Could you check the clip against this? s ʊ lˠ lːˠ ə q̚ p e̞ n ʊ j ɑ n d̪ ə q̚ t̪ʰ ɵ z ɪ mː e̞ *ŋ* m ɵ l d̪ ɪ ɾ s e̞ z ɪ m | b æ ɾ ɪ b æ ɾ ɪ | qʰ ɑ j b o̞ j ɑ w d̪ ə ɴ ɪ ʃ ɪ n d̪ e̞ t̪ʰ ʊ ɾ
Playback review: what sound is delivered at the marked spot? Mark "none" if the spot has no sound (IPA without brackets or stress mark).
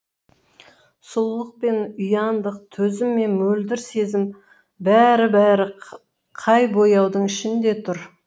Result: n